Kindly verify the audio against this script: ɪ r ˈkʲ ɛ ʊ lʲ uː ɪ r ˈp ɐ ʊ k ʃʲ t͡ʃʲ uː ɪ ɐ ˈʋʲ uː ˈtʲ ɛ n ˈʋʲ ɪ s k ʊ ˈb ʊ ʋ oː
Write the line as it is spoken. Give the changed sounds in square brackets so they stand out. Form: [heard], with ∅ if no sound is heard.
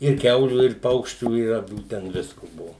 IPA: ɪ r ˈkʲ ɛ ʊ lʲ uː ɪ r ˈp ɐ ʊ k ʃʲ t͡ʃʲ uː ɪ ɐ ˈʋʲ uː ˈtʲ ɛ n ˈʋʲ ɪ s k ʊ ˈb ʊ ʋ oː